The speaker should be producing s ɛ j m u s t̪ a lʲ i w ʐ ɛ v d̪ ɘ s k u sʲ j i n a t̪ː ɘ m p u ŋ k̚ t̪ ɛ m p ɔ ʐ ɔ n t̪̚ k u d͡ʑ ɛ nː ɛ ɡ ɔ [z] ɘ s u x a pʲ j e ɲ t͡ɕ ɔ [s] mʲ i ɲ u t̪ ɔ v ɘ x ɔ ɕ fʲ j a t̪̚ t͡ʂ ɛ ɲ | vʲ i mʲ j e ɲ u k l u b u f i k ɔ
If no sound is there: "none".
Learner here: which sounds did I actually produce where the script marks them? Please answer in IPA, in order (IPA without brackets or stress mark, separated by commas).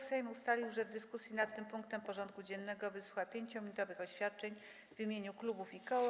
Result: v, none